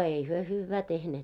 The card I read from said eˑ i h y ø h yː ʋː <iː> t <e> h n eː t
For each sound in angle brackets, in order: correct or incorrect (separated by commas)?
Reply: incorrect, correct